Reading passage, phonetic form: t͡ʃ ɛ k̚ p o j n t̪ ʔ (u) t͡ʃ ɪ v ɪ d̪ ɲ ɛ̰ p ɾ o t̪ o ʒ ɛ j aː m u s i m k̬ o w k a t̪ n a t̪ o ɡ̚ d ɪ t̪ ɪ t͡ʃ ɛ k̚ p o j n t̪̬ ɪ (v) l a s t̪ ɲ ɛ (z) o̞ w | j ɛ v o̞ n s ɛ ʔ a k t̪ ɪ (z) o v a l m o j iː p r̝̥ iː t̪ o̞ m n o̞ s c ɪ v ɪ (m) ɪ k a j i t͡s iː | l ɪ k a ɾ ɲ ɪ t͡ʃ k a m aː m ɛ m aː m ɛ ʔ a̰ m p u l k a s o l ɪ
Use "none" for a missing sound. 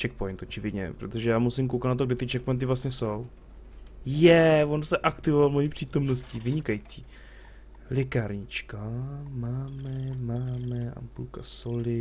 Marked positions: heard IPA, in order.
o, v, s, v, ɲ

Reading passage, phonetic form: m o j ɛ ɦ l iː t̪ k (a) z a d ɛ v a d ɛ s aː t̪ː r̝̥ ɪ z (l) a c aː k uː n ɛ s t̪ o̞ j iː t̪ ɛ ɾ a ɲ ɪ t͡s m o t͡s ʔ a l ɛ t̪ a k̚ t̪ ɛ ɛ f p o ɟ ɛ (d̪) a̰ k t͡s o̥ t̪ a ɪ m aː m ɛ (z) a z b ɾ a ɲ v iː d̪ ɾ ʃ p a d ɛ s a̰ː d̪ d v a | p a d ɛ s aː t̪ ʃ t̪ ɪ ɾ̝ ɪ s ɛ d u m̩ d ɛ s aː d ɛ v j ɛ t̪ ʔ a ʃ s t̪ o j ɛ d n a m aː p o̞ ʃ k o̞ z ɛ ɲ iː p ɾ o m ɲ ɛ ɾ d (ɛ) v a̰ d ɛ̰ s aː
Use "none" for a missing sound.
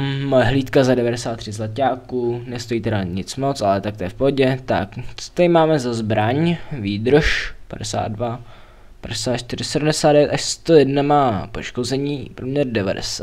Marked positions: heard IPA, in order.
a, l, t̪, z, ɛ

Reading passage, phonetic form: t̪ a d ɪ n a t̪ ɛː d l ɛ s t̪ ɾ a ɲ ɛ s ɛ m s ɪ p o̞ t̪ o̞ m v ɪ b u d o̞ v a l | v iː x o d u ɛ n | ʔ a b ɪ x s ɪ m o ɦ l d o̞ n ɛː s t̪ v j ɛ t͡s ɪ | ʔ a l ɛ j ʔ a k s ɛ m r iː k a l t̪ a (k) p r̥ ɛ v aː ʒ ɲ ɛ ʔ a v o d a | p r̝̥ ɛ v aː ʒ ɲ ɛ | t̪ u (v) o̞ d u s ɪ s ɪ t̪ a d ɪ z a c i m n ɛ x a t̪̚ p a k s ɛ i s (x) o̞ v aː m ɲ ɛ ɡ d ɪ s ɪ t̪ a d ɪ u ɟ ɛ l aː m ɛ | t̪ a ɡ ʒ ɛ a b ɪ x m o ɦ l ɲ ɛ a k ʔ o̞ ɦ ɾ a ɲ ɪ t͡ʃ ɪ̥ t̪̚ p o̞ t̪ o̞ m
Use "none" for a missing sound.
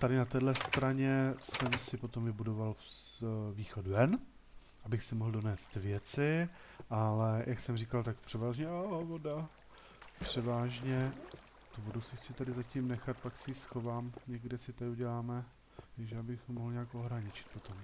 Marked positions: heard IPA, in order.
k, v, x

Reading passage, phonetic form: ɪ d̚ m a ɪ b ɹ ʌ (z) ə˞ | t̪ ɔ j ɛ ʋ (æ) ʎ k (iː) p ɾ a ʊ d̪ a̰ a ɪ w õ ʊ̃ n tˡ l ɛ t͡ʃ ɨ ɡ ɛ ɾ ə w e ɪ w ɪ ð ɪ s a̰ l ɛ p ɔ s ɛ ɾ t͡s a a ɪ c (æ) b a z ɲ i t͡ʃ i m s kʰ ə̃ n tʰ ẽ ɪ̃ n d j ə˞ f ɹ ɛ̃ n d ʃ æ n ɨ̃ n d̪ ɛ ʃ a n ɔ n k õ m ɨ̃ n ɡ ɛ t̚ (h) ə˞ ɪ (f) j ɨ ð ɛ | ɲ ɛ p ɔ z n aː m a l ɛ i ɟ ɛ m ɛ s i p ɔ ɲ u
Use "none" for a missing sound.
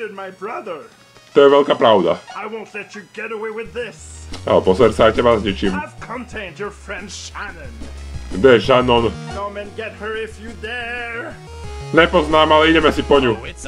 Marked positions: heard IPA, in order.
ð, ɛ, aː, ɛ, h, f

